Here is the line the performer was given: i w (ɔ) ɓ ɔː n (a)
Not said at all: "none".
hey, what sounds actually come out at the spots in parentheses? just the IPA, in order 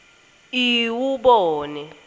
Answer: u, ɛ

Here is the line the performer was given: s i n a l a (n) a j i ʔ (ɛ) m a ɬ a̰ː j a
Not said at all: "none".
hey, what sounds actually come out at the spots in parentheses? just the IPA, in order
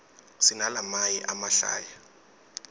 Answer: m, a

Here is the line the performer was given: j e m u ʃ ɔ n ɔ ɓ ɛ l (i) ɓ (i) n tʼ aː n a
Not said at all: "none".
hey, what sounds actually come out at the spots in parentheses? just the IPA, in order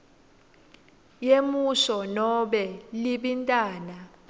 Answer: i, i

